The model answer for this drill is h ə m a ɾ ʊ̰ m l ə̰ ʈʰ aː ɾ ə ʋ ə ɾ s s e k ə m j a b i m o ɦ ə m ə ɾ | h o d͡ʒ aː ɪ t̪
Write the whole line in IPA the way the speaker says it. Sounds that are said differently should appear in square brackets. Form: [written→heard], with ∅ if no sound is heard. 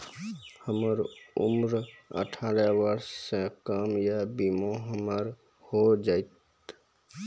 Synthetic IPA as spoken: h ə m [a→ə] ɾ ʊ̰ m [l→ɾ] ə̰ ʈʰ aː ɾ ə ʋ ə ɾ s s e k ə m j a b i m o ɦ ə m ə ɾ | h o d͡ʒ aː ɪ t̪